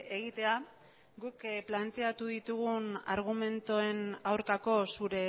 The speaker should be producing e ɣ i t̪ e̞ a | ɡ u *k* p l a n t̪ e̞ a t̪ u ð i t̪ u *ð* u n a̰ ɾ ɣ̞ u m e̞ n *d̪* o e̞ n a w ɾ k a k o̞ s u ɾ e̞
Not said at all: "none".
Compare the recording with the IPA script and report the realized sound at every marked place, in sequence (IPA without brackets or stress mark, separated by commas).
k, ɣ, t̪